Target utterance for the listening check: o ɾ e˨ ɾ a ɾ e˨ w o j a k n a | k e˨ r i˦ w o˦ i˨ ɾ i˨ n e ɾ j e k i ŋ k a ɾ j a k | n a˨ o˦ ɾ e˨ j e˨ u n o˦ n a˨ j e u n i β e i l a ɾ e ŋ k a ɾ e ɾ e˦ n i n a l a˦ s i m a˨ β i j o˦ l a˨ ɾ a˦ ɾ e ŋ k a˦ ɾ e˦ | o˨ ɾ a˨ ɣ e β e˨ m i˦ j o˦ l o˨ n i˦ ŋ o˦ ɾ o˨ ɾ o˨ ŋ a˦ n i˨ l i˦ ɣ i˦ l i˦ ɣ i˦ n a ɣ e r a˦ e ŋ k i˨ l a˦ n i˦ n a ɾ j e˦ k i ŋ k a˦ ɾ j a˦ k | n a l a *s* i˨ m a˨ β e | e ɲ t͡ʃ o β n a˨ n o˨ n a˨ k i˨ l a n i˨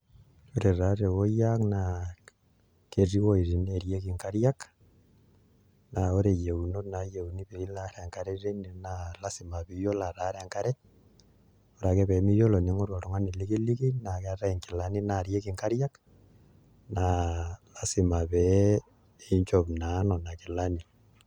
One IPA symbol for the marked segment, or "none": s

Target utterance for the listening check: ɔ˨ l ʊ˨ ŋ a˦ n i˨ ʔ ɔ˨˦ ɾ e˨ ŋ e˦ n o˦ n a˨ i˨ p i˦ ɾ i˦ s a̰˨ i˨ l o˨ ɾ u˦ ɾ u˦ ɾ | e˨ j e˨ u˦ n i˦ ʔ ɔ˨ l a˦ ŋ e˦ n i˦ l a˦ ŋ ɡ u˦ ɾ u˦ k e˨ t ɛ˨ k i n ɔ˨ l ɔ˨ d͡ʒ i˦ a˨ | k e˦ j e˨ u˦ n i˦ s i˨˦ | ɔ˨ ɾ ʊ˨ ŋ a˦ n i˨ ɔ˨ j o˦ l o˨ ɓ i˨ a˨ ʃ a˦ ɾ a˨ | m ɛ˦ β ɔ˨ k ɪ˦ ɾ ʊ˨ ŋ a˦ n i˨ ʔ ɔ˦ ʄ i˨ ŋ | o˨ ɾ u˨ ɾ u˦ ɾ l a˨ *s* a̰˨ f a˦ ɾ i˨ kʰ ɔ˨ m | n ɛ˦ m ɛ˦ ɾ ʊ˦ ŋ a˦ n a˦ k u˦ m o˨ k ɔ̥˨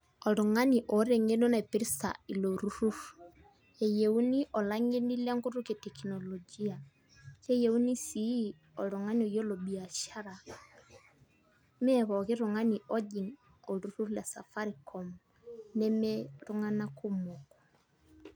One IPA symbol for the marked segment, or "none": s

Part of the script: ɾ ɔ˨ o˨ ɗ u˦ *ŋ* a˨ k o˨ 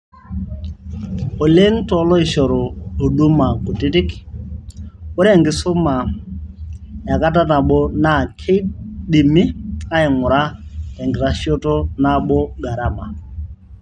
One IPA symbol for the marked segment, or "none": m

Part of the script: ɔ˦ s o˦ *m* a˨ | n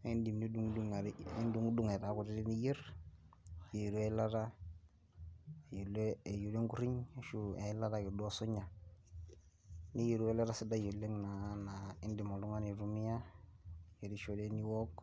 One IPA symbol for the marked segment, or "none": ɲ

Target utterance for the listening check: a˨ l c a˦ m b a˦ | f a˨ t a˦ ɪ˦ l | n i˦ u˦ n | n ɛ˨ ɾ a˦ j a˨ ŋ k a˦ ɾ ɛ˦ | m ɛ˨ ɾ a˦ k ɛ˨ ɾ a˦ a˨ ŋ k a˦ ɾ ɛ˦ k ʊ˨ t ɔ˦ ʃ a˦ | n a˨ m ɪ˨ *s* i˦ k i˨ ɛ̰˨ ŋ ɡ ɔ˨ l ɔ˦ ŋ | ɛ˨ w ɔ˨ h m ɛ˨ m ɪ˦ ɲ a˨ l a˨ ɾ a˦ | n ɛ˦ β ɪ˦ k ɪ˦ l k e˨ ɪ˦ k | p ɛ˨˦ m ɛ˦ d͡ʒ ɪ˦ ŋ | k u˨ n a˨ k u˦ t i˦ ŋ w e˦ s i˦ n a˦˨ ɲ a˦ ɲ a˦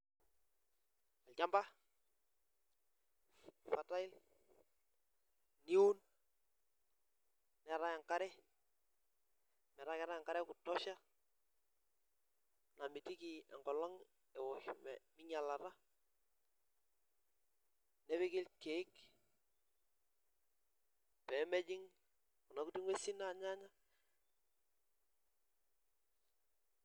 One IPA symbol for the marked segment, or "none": t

